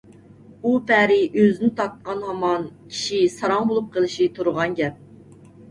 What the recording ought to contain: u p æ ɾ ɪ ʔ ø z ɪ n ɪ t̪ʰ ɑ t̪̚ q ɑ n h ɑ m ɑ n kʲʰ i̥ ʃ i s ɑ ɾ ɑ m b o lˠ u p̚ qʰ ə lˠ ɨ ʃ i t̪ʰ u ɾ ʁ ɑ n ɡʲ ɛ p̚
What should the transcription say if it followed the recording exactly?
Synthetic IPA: u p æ ɾ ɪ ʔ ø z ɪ n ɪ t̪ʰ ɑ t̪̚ q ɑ n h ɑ m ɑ n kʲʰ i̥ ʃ i s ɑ ɾ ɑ ŋ b o lˠ u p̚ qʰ ə lˠ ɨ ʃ i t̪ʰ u ɾ ʁ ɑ n ɡʲ ɛ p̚